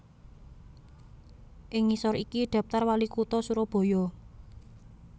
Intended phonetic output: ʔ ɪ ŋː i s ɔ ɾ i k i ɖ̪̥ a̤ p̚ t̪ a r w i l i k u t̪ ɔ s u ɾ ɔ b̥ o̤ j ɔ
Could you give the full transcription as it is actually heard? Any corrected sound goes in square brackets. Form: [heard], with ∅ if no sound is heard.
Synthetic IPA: ʔ ɪ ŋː i s ɔ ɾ i k i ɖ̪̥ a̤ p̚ t̪ a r w [a] l i k u t̪ ɔ s u ɾ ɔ b̥ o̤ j ɔ